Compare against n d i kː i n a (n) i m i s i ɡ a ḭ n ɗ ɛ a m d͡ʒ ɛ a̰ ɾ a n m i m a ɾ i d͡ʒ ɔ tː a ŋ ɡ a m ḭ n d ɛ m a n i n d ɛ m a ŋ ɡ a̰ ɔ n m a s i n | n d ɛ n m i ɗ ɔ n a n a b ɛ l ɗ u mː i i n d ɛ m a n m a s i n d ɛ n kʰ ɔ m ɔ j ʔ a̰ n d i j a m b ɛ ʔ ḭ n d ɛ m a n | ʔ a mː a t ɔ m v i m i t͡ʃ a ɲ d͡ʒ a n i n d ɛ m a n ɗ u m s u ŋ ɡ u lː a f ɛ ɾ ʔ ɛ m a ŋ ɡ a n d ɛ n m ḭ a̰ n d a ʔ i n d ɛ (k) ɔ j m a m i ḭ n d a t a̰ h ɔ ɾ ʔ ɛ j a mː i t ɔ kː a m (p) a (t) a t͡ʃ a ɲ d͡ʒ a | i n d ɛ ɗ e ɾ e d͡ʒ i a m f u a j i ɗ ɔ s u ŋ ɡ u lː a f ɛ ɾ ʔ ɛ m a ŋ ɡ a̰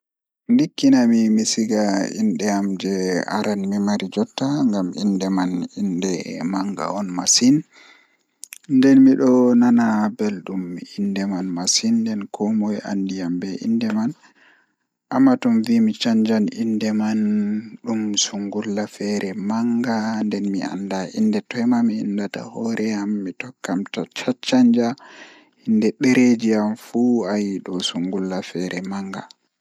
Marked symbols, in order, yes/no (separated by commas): no, no, no, no